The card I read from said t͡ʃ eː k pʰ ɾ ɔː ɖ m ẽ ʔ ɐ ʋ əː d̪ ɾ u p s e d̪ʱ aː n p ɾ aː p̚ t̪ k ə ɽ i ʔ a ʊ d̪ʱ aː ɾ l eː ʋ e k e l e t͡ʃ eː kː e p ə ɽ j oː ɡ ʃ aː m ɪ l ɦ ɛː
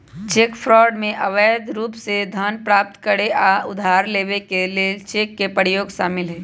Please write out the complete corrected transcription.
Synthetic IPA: t͡ʃ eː k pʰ ɾ ɔː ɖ m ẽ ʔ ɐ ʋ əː d̪ ɾ uː p s e d̪ʱ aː n p ɾ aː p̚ t̪ k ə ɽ e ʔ a ʊ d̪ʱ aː ɾ l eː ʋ e k e l e t͡ʃ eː kː e p ə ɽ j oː ɡ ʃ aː m ɪ l ɦ ɛː